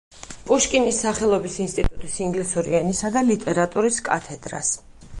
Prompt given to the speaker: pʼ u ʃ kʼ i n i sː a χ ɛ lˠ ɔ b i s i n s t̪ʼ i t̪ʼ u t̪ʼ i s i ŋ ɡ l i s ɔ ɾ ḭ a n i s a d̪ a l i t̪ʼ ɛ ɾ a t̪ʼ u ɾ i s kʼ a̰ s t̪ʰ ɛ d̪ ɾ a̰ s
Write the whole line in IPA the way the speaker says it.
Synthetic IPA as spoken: pʼ u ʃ kʼ i n i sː a χ ɛ lˠ ɔ b i s i n s t̪ʼ i t̪ʼ u t̪ʼ i s i ŋ ɡ l i s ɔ ɾ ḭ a n i s a d̪ a l i t̪ʼ ɛ ɾ a t̪ʼ u ɾ i s kʼ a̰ t̪ʰ ɛ d̪ ɾ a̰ s